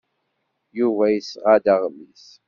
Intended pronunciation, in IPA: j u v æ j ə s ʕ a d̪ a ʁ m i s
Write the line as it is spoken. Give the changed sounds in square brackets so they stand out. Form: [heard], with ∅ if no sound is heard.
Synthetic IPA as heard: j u v æ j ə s [ʁ] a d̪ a ʁ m i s